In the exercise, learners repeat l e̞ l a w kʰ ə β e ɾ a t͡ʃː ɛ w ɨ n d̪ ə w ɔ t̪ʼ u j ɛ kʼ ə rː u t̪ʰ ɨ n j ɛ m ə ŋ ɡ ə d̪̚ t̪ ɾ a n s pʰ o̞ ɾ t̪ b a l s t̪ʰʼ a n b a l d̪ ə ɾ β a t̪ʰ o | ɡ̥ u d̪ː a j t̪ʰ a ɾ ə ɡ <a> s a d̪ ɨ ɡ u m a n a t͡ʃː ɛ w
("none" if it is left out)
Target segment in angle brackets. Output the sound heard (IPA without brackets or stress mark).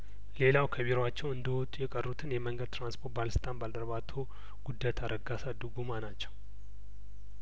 a